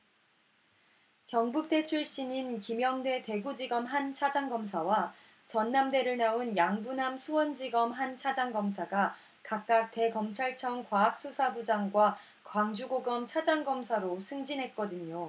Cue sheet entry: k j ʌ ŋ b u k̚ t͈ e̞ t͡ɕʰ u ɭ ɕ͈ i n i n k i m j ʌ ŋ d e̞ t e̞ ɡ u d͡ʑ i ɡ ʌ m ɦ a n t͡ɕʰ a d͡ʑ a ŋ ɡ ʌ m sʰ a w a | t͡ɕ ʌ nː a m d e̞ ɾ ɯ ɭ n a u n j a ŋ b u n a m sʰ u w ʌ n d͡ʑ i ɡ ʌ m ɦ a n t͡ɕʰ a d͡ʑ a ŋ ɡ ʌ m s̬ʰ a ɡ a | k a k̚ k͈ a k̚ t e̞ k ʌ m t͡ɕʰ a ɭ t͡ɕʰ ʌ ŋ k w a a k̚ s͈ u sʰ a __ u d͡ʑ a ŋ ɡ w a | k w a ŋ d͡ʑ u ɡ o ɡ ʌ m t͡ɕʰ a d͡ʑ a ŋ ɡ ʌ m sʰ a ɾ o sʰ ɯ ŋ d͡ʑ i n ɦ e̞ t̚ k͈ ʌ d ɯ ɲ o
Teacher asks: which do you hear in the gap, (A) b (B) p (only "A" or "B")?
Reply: A